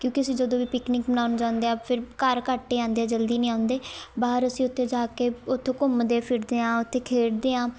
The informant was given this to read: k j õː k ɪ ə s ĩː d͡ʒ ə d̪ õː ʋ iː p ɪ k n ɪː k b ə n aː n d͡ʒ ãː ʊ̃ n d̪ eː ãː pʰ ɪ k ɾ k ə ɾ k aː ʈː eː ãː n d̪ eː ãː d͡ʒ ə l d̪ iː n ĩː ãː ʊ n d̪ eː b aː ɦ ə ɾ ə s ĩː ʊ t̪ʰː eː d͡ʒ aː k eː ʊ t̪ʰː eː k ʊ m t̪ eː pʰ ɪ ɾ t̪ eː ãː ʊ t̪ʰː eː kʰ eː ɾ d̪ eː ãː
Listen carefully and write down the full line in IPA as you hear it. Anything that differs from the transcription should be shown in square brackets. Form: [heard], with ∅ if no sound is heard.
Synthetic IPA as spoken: k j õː k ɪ ə s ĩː d͡ʒ ə d̪ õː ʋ iː p ɪ k n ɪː k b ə n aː n d͡ʒ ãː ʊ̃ n d̪ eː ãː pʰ ɪ [∅] ɾ k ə ɾ k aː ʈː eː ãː n d̪ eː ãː d͡ʒ ə l d̪ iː n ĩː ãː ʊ n d̪ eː b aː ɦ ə ɾ ə s ĩː ʊ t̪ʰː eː d͡ʒ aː k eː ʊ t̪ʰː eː k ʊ m [d̪] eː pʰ ɪ ɾ [d̪] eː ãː ʊ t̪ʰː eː kʰ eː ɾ d̪ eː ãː